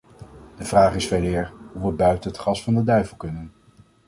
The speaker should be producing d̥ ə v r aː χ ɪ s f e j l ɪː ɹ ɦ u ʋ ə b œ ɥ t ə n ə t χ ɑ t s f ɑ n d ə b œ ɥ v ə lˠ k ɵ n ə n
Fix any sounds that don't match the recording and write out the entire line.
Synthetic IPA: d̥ ə v r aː χ ɪ s f e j l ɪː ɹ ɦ u ʋ ə b œ ɥ t ə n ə t χ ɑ s f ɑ n d ə d œ ɥ v ə lˠ k ɵ n ə n